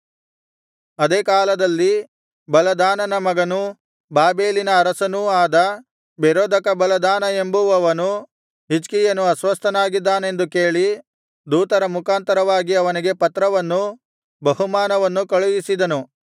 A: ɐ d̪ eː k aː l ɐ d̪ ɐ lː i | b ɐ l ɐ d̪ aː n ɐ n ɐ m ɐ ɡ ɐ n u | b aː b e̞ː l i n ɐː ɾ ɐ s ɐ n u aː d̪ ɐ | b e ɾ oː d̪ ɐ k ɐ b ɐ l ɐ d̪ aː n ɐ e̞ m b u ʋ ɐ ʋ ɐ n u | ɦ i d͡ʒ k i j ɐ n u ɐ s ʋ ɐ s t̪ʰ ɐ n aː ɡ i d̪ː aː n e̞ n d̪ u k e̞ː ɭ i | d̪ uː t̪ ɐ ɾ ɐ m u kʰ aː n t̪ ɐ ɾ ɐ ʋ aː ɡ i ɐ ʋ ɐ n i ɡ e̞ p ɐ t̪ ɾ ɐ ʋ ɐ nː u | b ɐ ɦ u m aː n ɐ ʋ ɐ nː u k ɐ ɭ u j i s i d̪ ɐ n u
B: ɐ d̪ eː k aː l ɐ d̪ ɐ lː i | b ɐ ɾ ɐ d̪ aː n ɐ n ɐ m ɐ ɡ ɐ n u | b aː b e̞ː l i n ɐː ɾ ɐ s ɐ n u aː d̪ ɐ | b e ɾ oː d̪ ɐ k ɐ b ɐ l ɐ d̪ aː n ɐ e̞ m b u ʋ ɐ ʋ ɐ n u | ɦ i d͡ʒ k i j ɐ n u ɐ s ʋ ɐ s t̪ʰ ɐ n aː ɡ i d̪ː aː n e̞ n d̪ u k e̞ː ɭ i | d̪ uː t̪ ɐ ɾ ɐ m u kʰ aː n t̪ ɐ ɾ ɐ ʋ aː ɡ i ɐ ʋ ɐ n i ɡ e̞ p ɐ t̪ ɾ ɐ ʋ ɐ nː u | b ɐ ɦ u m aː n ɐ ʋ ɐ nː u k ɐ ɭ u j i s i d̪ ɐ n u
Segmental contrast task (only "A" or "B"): A